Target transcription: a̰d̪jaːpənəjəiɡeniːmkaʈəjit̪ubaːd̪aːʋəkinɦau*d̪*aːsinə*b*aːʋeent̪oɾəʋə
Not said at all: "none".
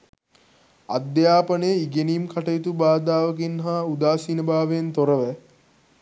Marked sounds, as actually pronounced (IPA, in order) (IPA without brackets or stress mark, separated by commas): d̪, b